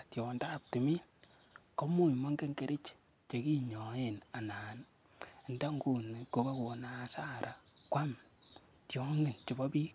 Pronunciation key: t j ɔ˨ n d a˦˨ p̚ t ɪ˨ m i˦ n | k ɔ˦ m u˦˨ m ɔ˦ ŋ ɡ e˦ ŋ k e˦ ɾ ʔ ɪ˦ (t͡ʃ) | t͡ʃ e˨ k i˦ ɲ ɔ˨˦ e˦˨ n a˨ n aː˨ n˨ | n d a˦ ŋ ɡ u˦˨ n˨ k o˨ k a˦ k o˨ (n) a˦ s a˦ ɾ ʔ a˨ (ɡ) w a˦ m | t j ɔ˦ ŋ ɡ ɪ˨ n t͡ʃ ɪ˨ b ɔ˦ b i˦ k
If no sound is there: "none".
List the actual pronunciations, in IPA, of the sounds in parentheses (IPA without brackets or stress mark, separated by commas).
t͡ʃ, n, k